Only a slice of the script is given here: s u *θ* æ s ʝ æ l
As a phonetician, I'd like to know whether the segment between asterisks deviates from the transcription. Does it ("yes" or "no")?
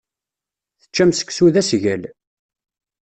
yes